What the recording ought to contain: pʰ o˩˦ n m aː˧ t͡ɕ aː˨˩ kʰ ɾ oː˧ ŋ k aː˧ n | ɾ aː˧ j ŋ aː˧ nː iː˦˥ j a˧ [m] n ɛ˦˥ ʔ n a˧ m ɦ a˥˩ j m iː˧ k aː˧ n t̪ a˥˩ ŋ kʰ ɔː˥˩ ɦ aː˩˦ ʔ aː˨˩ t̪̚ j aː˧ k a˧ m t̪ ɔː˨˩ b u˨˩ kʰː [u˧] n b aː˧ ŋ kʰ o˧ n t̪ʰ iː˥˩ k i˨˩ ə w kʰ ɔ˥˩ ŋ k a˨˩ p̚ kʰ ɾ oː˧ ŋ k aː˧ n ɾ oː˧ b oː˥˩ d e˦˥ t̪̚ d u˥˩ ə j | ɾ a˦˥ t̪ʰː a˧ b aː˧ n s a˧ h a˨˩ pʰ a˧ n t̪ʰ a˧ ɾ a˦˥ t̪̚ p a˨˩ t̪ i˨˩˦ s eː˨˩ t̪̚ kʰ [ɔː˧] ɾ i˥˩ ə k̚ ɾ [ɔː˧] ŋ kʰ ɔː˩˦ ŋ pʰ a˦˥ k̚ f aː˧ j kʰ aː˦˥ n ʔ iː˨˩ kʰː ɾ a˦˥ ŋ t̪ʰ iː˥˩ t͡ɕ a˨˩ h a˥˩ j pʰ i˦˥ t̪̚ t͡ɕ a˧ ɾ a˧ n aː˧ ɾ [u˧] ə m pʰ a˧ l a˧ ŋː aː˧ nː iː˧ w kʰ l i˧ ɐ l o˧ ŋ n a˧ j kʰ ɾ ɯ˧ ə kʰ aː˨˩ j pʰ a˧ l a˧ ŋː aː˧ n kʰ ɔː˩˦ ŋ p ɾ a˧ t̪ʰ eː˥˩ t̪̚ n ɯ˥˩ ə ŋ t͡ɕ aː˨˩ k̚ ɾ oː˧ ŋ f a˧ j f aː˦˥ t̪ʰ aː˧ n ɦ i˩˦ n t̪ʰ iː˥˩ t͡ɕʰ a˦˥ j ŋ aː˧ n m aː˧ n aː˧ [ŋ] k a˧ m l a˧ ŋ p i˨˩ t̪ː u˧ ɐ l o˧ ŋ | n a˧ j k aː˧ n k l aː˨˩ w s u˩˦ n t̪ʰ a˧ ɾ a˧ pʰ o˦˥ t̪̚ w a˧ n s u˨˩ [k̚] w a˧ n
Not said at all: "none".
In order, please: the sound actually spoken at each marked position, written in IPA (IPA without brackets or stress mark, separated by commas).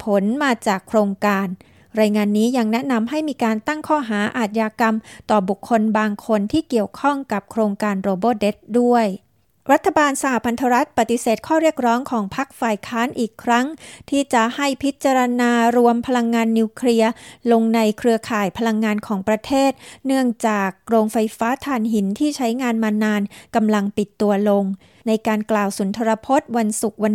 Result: ŋ, o˧, ɔː˥˩, ɔː˦˥, u˧, n, k̚